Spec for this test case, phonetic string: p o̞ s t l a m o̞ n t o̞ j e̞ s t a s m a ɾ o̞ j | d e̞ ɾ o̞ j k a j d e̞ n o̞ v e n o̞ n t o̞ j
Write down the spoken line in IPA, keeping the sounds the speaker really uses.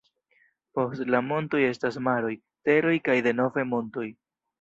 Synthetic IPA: p o̞ s t l a m o̞ n t o̞ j e̞ s t a s m a ɾ o̞ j | t e̞ ɾ o̞ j k a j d e̞ n o̞ v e m o̞ n t o̞ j

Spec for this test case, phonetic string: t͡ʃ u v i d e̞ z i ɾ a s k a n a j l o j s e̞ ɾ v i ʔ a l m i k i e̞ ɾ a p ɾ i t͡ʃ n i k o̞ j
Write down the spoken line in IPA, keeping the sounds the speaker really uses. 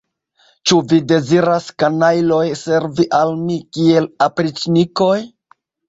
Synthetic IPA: t͡ʃ u v i d e̞ z i ɾ a s k a n a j l o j s e̞ ɾ v i ʔ a l m i k i e̞ l a p ɾ i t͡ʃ n i k o̞ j

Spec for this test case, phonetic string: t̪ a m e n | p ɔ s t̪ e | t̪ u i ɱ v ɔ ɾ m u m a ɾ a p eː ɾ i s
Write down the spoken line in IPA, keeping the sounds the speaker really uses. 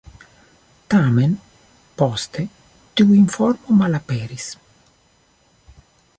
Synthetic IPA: t̪ a m e n | p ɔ s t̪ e | t̪ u i ɱ f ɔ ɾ m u m a l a p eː ɾ i s

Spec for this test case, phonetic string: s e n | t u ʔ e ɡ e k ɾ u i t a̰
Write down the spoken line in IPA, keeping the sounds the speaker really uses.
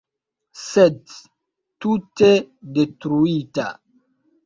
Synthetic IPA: s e d | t u t e d e t ɾ u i t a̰

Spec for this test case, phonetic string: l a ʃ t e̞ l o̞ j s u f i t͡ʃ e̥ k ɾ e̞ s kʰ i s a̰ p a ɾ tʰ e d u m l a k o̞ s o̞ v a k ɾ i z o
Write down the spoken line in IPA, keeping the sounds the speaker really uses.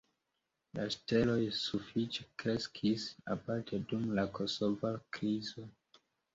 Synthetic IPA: l a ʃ t e̞ l o̞ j s u f i t͡ʃ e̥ k ɾ e̞ s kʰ i s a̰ p a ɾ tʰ e d u m l a k o̞ s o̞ v a k ɾ i z o

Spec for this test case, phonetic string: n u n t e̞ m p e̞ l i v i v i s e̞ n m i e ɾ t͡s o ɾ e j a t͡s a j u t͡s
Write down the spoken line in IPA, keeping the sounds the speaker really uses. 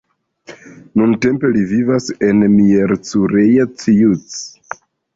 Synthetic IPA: n u n t e̞ m p e̞ l i v i v a s e̞ n m i e ɾ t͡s u ɾ e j a t͡s i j u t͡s

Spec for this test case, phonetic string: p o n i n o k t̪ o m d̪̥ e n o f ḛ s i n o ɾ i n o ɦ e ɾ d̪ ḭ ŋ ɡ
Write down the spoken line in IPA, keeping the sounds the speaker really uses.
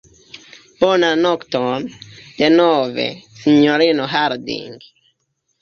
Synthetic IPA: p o n a n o k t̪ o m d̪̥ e n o v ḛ s i ɲ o ɾ i n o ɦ a ɾ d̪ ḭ ŋ ɡ

